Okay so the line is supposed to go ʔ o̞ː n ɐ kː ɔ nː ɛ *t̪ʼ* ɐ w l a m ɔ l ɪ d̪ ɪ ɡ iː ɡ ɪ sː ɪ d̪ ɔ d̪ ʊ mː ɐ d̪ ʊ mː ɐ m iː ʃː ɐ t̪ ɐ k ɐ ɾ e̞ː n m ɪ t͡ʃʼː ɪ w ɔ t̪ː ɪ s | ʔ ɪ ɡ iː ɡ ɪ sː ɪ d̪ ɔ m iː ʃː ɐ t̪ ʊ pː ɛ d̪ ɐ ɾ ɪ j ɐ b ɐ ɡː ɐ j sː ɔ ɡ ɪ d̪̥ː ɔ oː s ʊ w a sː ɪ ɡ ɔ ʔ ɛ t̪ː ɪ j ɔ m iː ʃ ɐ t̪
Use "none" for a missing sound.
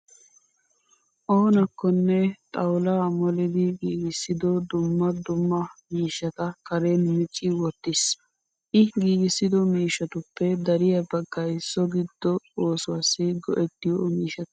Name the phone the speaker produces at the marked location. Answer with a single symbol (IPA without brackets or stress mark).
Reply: t̪ʼ